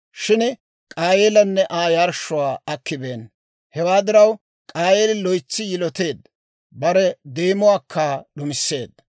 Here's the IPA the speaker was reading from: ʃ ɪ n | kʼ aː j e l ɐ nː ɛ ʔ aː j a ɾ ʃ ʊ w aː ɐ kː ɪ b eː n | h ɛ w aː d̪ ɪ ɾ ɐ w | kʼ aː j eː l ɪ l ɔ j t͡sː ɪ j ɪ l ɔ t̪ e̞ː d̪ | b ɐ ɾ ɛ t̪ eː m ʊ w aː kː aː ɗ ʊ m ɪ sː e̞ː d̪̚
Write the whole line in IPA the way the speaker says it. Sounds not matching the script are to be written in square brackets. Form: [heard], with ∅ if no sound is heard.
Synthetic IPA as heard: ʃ ɪ n | kʼ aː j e l ɐ nː ɛ ʔ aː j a ɾ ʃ ʊ w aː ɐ kː ɪ b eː n | h ɛ w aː d̪ ɪ ɾ ɐ w | kʼ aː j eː l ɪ l ɔ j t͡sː ɪ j ɪ l ɔ t̪ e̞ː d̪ | b ɐ ɾ ɛ [d̪] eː m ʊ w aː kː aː ɗ ʊ m ɪ sː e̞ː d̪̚